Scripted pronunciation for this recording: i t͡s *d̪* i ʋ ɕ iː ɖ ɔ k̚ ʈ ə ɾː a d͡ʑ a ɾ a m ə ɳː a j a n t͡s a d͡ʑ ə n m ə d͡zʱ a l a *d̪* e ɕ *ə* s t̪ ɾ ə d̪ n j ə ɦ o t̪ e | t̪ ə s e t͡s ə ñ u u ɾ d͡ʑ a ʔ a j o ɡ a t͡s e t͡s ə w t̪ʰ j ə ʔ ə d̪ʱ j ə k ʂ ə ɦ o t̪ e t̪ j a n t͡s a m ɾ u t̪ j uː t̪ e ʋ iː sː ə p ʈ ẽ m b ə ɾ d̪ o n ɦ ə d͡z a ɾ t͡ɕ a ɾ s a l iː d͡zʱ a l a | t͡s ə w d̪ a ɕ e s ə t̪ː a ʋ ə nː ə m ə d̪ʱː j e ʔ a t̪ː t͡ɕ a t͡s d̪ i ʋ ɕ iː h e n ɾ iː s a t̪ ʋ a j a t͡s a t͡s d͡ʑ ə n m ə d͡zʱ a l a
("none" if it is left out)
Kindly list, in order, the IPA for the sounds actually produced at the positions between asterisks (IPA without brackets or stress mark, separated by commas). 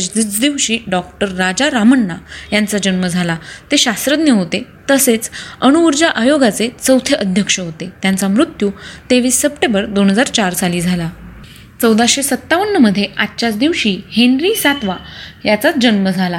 d̪, t̪, a